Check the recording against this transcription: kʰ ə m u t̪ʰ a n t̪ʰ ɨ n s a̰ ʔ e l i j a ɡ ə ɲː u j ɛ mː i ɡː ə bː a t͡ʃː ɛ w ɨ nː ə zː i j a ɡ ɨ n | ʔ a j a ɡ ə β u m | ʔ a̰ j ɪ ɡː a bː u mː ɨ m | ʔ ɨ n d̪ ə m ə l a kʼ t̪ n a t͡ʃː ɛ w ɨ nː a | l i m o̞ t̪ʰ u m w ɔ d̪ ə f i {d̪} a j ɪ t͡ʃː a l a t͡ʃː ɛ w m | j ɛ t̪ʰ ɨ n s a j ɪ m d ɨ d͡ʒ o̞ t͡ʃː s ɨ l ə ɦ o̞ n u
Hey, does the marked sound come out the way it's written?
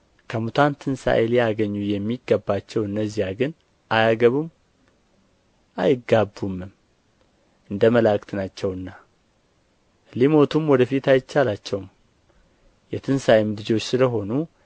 no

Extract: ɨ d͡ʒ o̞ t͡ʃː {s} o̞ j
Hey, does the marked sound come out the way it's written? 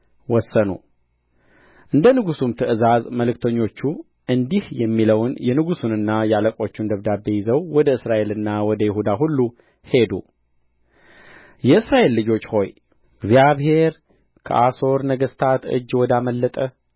no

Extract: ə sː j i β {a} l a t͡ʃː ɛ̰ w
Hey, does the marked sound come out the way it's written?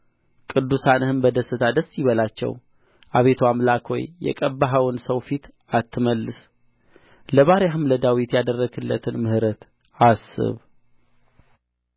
no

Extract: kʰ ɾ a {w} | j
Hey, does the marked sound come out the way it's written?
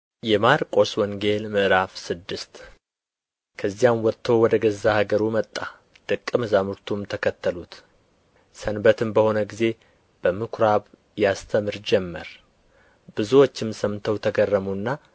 no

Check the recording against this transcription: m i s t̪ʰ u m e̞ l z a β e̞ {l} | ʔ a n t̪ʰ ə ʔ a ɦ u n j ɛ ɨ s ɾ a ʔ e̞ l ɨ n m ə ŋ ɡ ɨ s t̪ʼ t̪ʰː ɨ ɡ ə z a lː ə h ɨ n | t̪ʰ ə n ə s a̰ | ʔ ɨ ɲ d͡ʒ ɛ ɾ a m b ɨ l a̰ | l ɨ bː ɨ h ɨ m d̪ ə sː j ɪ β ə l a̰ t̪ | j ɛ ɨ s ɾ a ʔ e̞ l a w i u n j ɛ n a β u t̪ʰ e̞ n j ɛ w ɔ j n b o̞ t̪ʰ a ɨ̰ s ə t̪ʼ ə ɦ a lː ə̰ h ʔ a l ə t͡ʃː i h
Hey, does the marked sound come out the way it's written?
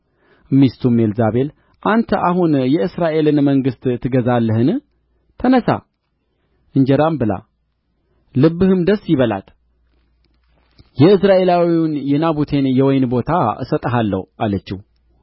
yes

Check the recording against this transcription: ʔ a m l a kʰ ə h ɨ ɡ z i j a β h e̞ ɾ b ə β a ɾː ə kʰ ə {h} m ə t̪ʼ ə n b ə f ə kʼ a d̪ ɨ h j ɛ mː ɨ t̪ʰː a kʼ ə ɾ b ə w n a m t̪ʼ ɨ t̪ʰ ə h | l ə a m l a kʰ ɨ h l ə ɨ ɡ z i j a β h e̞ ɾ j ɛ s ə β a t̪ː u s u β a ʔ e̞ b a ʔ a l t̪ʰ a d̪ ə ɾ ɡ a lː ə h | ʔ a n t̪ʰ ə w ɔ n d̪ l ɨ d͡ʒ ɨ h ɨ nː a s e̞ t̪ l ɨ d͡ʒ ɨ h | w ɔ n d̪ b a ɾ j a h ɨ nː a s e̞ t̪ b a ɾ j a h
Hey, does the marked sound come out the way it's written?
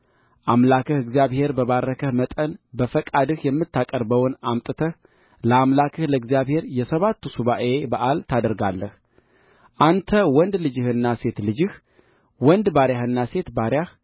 yes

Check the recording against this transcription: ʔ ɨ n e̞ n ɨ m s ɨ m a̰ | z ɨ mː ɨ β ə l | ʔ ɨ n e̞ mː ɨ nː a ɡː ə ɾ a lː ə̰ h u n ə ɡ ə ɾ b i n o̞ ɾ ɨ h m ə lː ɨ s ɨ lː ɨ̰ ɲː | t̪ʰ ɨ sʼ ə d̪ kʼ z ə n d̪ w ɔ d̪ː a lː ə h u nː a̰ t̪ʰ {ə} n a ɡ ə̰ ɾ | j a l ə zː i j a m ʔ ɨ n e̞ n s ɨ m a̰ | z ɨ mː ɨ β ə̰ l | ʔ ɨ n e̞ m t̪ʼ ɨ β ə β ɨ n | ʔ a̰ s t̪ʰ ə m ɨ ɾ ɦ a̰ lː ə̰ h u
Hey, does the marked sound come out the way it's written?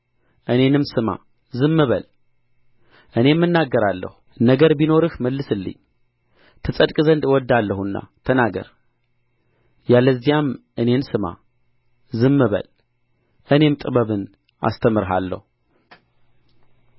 yes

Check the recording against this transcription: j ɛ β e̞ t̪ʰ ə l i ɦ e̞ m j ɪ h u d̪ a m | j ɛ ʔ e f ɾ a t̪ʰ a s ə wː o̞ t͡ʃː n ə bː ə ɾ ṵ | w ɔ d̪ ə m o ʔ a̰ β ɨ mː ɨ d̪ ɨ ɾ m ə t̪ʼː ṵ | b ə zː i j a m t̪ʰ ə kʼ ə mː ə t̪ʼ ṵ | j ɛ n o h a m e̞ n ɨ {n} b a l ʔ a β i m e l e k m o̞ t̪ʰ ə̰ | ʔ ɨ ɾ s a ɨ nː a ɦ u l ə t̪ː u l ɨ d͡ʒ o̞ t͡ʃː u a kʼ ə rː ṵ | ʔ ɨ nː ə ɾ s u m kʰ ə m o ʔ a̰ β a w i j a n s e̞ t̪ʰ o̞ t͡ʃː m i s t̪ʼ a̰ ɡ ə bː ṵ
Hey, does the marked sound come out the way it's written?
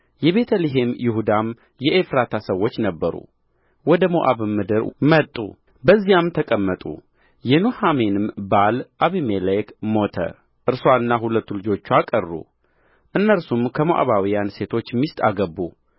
no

